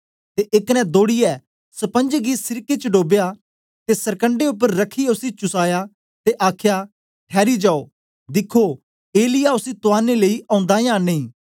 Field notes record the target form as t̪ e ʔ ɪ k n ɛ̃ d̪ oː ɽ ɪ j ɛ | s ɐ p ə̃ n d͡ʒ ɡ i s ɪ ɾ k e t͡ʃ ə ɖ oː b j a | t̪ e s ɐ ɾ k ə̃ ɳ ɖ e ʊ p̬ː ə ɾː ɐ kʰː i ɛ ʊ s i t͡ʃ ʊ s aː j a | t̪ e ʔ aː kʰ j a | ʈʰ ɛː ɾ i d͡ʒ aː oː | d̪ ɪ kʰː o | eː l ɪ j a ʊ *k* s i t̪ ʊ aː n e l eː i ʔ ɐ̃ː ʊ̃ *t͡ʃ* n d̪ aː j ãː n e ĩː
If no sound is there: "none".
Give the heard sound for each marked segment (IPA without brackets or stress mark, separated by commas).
none, none